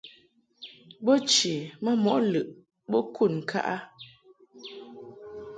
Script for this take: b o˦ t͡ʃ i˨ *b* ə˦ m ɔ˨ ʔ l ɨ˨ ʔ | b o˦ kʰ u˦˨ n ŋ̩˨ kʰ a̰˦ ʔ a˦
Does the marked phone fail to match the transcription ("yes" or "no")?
yes